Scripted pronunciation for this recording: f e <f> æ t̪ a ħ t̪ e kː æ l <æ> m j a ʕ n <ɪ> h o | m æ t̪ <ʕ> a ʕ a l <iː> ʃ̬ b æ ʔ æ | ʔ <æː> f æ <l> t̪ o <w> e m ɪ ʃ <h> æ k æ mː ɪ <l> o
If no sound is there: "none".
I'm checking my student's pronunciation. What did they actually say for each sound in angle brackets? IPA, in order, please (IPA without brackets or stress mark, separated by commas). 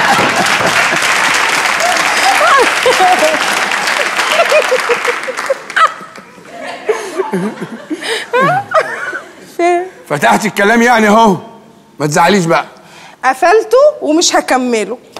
f, æː, i, z, iː, æ, l, w, h, l